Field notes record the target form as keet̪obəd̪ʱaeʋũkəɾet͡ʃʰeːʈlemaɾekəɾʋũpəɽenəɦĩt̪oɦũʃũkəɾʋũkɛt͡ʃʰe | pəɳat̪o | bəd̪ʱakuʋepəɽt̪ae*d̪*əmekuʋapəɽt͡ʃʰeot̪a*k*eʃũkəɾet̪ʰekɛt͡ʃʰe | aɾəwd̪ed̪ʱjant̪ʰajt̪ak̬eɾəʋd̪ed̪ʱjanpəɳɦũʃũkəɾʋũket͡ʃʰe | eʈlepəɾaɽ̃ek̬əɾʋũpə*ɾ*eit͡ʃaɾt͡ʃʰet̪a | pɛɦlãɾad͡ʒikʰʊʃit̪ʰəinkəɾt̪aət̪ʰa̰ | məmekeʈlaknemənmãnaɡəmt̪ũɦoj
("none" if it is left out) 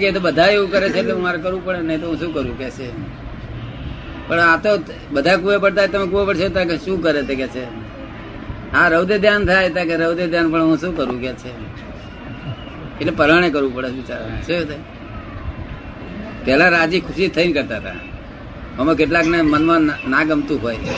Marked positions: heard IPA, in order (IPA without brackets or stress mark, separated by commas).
t̪, k, ɽ